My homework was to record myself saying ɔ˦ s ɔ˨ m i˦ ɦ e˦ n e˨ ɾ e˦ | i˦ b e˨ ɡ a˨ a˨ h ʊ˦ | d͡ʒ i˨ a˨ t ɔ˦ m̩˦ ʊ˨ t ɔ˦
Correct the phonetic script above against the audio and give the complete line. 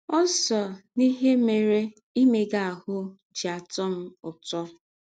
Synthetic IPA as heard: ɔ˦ s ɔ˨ n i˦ ɦ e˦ m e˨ ɾ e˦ | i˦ m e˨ ɡ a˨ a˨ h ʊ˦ | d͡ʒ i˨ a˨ t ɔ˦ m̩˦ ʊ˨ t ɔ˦